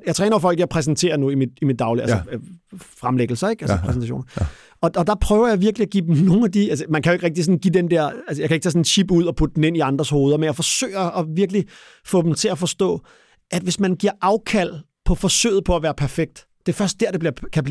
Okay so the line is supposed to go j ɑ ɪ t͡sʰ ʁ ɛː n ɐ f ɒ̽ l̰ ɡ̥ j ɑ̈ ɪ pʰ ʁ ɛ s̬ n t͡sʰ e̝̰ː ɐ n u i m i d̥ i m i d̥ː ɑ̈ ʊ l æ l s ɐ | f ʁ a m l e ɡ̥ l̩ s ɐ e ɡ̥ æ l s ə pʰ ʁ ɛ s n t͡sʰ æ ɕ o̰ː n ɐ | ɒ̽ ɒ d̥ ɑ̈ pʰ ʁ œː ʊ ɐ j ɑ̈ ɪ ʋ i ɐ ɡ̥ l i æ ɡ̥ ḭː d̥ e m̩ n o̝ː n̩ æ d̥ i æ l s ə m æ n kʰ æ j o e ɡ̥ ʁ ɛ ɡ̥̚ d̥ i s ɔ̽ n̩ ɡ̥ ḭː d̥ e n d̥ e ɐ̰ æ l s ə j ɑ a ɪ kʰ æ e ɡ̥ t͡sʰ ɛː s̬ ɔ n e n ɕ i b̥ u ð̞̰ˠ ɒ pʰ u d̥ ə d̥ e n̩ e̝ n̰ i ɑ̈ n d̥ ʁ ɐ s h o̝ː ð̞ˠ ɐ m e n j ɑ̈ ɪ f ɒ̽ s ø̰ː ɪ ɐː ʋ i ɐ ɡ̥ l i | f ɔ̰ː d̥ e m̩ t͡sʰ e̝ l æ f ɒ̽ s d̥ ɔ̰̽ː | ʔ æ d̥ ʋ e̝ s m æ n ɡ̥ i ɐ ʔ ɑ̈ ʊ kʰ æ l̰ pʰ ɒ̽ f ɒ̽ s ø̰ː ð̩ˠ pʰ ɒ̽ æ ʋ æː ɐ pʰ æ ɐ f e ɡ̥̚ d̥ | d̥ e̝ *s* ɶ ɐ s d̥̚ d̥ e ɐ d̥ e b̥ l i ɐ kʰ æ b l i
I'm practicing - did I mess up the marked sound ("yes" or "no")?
yes